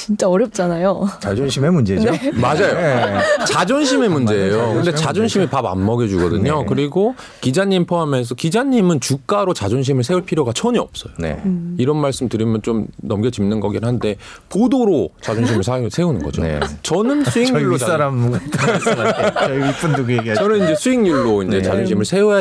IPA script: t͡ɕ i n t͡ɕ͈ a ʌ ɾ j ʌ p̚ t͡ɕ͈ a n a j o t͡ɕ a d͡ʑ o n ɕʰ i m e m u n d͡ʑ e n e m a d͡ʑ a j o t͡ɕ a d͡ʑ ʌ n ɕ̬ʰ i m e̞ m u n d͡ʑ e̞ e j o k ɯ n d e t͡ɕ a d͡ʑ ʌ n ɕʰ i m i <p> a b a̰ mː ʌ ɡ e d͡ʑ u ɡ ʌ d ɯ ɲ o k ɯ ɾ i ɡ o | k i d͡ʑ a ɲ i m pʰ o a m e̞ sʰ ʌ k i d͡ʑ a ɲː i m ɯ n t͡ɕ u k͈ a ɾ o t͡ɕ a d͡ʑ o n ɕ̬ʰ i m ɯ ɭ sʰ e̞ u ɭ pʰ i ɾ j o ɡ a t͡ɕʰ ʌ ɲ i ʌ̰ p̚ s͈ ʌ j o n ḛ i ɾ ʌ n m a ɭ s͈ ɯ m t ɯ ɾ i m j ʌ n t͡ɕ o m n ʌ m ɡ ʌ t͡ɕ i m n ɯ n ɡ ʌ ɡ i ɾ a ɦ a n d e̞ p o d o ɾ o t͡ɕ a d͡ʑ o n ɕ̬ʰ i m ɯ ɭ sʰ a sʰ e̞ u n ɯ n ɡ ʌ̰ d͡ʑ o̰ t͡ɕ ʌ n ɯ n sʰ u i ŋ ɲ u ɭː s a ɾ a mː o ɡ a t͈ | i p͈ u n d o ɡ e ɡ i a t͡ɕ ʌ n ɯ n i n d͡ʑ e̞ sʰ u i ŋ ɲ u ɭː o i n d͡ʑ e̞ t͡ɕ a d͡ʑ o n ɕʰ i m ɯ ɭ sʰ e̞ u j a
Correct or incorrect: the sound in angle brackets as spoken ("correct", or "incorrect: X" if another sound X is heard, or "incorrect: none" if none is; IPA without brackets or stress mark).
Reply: correct